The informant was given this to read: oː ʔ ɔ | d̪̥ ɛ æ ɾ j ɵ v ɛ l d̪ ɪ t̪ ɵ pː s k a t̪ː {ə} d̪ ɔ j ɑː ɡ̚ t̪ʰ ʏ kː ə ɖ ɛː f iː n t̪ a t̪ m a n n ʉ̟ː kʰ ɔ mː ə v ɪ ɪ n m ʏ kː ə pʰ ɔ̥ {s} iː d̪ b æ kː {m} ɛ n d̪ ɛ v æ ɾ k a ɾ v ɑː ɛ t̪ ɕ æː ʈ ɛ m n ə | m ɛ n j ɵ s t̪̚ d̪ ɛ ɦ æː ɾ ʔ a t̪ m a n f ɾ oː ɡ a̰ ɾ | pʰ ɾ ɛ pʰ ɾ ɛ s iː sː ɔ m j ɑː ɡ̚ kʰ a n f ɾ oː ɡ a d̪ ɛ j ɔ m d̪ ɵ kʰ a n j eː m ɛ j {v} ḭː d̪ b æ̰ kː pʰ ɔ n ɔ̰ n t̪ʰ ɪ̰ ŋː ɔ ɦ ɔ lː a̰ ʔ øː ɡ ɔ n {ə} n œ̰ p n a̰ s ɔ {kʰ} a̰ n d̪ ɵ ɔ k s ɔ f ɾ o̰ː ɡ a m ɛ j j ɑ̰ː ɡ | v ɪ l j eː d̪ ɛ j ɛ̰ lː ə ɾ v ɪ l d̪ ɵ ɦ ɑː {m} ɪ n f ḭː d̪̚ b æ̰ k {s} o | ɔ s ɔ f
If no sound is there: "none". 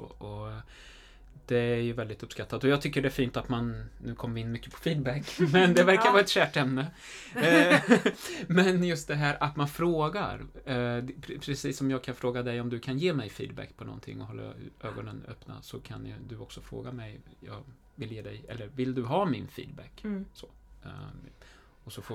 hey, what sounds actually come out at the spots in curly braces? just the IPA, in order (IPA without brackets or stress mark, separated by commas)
a, f, m, f, ə, kʰ, m, s